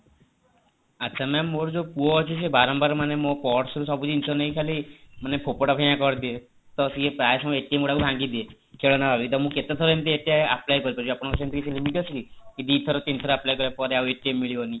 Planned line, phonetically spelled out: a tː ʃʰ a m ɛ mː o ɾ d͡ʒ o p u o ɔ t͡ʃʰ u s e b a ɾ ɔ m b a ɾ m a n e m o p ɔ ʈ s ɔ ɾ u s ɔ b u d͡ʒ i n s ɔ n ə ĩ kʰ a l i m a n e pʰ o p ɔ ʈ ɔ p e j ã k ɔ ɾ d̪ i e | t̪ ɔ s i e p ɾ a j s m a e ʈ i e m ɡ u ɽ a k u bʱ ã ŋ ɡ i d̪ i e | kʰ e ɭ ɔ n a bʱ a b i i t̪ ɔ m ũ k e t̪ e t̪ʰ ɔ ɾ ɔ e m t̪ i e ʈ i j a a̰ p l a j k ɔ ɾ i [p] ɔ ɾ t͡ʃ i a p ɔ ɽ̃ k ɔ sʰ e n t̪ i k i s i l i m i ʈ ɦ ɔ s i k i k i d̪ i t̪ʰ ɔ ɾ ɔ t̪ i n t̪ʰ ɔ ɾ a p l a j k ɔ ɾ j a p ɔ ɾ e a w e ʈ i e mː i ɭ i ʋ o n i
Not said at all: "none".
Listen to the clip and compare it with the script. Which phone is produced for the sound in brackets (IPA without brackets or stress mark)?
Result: p